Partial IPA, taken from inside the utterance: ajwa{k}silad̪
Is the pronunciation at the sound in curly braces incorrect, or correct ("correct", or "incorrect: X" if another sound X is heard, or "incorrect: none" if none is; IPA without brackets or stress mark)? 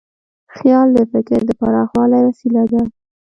incorrect: none